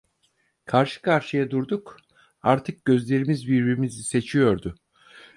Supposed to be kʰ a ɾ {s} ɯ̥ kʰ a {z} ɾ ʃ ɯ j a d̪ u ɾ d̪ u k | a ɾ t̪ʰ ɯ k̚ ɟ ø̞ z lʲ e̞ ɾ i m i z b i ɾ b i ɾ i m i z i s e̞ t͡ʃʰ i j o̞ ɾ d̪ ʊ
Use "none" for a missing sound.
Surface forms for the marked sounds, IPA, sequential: ʃ, none

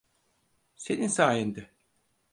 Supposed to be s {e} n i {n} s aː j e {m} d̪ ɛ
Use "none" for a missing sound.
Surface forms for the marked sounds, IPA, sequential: e, n, n

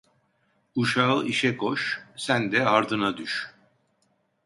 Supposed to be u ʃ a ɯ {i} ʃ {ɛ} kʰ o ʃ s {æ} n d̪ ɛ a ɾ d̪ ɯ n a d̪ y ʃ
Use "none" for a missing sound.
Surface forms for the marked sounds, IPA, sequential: i, ɛ, æ

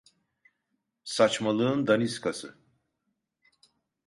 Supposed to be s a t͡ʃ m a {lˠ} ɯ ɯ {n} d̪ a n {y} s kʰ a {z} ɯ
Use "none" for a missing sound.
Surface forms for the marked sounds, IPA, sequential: lˠ, n, i, s

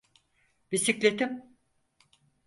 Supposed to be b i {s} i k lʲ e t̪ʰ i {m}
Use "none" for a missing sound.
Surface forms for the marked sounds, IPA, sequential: s, m

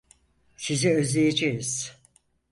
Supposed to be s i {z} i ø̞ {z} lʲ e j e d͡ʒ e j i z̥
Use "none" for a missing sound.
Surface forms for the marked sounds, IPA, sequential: z, z

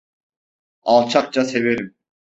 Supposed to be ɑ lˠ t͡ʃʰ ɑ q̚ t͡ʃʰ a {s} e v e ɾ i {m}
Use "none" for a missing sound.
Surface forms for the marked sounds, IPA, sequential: s, m

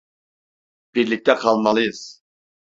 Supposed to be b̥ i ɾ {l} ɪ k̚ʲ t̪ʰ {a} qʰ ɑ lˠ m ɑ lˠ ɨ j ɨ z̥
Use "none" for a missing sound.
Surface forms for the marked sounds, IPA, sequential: l, ɛ

